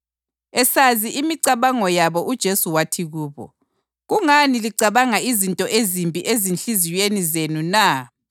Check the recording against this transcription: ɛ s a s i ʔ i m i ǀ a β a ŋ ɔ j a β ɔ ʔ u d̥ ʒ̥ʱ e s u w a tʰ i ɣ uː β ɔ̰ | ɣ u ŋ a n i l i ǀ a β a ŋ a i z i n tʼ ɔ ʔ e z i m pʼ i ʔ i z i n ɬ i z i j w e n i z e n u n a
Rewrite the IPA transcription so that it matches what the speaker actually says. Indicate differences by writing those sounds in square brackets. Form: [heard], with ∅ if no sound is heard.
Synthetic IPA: ɛ s a [z] i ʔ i m i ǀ a β a ŋ ɔ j a β ɔ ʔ u d̥ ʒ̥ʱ e s u w a tʰ i ɣ uː β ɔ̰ | ɣ u ŋ a n i l i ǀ a β a ŋ a i z i n tʼ ɔ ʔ e z i m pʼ i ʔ [e] z i n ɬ i z i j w e n i z e n u n a